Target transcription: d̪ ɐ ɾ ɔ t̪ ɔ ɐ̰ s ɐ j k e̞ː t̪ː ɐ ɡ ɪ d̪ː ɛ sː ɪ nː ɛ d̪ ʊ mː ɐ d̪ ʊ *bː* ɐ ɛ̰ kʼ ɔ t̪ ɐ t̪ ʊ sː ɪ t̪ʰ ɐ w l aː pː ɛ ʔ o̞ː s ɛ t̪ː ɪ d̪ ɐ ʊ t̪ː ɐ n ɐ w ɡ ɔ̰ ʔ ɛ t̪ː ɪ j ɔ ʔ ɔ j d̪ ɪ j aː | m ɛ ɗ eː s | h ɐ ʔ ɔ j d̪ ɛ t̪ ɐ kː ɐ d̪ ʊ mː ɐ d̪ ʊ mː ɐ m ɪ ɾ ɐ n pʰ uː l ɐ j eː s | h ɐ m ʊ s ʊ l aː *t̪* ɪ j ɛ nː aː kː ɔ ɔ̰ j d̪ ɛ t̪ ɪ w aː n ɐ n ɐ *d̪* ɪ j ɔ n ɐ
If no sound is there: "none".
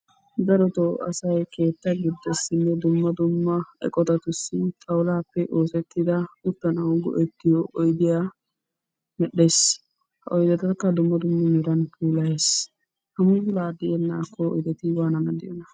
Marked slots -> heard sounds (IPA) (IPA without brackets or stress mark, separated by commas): mː, d̪, d̪